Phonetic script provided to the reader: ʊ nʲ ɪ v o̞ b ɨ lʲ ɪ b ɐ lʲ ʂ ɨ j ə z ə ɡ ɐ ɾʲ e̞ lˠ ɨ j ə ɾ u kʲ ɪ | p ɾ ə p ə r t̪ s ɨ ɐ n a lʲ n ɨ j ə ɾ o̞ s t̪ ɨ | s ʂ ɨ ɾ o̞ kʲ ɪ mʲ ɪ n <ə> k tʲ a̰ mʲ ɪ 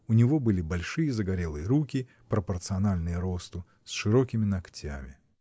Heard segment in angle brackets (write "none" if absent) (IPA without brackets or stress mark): ɐ